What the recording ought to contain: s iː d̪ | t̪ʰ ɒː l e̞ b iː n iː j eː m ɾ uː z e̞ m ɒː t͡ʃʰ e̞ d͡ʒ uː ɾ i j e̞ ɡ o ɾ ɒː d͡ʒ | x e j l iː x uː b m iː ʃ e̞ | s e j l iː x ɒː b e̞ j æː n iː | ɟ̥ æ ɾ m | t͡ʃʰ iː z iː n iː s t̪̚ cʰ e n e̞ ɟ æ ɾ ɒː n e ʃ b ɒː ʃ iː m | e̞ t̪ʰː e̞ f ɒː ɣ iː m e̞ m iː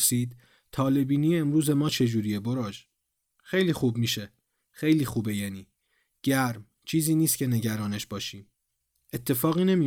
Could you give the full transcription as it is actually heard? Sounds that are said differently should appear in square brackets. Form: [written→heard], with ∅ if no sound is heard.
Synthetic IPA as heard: s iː d̪ | t̪ʰ ɒː l e̞ b iː n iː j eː m ɾ uː z e̞ m ɒː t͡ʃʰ e̞ d͡ʒ uː ɾ i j e̞ [ɡ→b] o ɾ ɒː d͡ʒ | x e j l iː x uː b m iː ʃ e̞ | [s→x] e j l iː x [ɒː→uː] b e̞ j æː n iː | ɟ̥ æ ɾ m | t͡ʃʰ iː z iː n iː s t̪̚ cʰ e n e̞ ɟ æ ɾ ɒː n e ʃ b ɒː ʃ iː m | e̞ t̪ʰː e̞ f ɒː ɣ iː [m→n] e̞ m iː